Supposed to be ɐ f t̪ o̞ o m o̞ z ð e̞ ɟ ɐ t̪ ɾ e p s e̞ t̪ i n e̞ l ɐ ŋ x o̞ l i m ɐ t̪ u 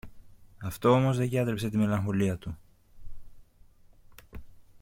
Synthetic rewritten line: ɐ f t̪ o̞ o m o̞ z ð e̞ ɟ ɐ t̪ ɾ e p s e̞ t̪ i m e̞ l ɐ ŋ x o̞ l i ɐ t̪ u